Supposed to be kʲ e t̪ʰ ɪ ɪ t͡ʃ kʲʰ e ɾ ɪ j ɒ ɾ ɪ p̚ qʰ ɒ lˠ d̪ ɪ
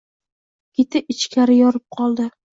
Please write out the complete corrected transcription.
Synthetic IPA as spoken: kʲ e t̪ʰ ɪ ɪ t͡ʃ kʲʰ a ɾ ɪ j ɒ ɾ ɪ p̚ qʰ ɒ lˠ d̪ ɪ